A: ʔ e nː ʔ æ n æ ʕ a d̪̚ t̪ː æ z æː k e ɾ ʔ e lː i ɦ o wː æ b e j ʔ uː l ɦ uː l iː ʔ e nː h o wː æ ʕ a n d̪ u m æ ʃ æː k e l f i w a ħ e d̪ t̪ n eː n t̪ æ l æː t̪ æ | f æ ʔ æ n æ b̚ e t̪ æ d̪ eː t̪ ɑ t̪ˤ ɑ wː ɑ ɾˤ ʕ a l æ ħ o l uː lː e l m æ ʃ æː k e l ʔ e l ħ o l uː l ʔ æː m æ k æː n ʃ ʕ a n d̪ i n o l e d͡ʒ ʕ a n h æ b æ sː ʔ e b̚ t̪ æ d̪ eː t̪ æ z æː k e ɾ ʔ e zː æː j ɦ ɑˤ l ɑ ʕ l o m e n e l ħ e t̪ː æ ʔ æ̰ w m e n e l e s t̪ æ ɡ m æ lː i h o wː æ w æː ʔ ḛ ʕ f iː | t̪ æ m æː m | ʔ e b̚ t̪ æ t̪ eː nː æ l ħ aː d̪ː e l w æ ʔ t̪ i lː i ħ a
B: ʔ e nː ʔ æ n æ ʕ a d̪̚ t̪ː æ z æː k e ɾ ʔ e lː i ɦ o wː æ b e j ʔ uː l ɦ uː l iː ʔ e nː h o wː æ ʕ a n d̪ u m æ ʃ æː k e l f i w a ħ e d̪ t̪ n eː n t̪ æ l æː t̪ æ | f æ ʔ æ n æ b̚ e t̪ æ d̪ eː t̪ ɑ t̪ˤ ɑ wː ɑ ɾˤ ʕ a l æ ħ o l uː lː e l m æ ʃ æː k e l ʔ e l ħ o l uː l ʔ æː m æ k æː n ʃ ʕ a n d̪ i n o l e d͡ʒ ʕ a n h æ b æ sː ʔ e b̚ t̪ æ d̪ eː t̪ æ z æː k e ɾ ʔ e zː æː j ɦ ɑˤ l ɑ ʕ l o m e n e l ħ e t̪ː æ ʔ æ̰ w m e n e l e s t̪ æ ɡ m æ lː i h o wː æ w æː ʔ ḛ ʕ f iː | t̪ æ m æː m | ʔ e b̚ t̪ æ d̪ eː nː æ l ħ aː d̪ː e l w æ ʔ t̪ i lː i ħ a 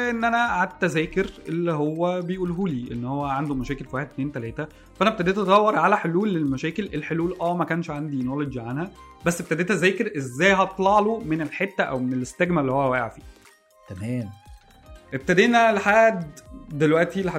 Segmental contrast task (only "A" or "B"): B